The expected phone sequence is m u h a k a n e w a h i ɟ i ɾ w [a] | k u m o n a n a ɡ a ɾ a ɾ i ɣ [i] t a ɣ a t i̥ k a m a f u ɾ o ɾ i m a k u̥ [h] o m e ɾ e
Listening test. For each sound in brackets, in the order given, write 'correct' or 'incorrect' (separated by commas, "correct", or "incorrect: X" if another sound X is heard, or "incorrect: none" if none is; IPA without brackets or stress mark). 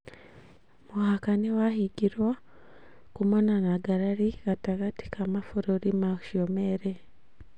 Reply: correct, incorrect: a, incorrect: ʃ